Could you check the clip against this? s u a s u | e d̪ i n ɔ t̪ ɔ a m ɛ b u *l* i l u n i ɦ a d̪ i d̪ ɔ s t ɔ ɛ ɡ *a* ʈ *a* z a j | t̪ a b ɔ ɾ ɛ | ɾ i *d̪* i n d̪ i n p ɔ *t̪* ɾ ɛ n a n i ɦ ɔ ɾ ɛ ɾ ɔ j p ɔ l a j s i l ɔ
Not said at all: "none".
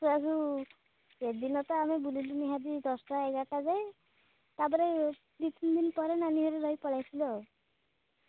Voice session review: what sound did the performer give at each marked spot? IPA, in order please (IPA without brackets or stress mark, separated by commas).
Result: l, a, a, t̪, none